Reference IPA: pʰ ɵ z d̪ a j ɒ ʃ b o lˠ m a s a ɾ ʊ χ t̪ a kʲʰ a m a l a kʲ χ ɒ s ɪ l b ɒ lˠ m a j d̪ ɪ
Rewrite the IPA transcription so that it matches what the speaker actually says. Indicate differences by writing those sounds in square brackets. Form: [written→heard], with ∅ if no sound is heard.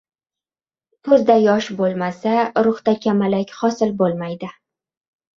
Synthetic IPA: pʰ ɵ z d̪ a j ɒ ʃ b o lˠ m a s a ɾ ʊ χ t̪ a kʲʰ a m a l a kʲ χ ɒ s ɪ l b [ɒ→o] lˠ m a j d̪ ɪ